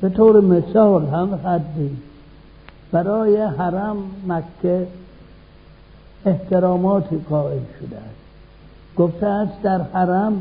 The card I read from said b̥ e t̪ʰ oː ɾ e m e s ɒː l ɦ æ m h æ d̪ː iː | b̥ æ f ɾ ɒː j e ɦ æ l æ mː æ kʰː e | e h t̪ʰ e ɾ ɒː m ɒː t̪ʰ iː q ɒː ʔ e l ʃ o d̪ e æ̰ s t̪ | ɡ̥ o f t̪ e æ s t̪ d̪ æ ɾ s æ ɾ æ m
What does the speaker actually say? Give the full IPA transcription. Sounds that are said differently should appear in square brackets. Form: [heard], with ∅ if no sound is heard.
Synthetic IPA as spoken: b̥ e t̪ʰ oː ɾ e m e s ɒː l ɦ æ m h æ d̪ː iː | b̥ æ [∅] ɾ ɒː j e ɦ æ [ɾ] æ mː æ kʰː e | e h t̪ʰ e ɾ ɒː m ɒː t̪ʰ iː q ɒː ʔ e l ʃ o d̪ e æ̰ s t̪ | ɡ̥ o f t̪ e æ s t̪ d̪ æ ɾ [h] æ ɾ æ m